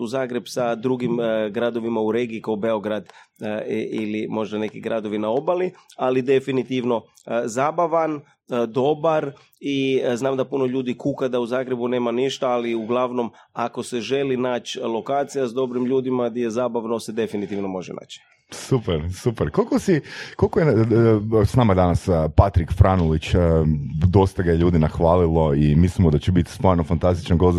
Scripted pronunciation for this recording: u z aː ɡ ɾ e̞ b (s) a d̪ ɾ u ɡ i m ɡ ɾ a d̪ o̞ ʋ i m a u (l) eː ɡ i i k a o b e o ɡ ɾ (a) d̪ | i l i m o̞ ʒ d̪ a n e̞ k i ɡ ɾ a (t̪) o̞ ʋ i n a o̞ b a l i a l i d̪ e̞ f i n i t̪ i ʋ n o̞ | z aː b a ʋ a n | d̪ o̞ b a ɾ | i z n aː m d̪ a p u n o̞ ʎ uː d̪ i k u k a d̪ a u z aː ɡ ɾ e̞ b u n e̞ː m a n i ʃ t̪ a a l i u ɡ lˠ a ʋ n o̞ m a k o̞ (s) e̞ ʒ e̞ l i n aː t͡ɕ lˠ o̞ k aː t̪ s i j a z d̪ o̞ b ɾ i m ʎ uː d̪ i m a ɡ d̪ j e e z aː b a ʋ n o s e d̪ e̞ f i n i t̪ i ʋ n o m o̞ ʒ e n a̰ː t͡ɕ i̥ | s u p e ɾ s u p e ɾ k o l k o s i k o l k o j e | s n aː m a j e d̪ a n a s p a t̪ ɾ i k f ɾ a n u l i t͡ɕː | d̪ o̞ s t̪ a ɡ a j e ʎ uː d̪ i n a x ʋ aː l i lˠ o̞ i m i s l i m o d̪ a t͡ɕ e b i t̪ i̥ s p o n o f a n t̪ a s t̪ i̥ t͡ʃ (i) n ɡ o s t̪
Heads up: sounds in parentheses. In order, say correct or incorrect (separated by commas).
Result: correct, incorrect, correct, incorrect, correct, incorrect